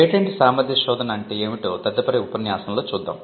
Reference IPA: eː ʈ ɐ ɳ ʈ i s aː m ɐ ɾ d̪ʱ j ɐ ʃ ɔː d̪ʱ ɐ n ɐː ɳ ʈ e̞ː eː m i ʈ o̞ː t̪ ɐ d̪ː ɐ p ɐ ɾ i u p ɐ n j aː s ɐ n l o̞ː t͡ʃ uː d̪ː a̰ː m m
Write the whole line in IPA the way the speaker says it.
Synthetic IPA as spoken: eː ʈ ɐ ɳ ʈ i s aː m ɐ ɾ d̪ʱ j ɐ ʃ ɔː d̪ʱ ɐ n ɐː ɳ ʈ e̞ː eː m i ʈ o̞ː t̪ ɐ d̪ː ɐ p ɐ ɾ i u p ɐ n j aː s ɐ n l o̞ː t͡ʃ uː d̪ː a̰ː m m